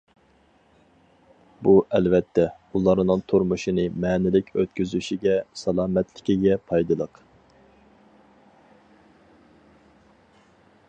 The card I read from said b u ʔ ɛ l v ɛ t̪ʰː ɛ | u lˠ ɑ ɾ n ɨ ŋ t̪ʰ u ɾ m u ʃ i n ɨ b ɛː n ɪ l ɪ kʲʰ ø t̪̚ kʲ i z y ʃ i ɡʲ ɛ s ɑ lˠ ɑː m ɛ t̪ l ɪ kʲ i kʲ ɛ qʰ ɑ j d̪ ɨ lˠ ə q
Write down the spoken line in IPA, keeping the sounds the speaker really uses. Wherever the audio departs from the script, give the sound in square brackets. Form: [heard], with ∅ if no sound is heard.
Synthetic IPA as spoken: b u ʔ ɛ l v ɛ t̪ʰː ɛ | u lˠ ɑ ɾ n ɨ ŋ t̪ʰ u ɾ m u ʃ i n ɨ [m] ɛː n ɪ l ɪ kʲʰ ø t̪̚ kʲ [y] z y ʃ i ɡʲ ɛ s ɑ lˠ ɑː m ɛ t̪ l ɪ kʲ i [ɡʲ] ɛ [pʰ] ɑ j d̪ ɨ lˠ ə q